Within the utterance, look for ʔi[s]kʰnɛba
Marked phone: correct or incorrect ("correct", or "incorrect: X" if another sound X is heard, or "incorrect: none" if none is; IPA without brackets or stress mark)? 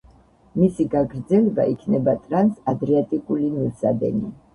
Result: incorrect: none